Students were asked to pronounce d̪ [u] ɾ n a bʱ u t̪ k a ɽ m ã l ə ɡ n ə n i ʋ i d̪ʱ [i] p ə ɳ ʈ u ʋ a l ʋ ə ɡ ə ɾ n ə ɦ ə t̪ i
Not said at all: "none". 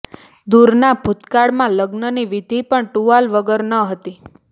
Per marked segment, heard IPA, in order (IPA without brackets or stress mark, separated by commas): u, i